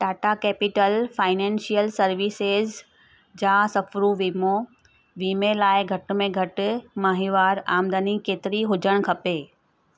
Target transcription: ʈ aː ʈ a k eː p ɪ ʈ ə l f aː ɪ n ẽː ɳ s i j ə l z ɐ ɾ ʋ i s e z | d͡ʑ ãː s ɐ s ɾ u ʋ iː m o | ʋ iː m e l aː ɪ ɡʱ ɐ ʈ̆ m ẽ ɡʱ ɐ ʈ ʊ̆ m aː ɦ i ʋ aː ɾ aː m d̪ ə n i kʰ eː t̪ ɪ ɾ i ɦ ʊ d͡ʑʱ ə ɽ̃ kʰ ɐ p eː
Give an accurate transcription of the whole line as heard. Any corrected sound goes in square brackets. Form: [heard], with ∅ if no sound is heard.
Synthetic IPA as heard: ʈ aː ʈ a k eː p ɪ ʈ ə l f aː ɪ n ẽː [n] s i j ə l [s] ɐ ɾ ʋ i s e z | d͡ʑ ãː s ɐ [f] ɾ u ʋ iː m o | ʋ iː m e l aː ɪ ɡʱ ɐ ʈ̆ m ẽ ɡʱ ɐ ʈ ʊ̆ m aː ɦ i ʋ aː ɾ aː m d̪ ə n i [k] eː t̪ ɪ ɾ i ɦ ʊ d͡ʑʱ ə ɽ̃ kʰ ɐ p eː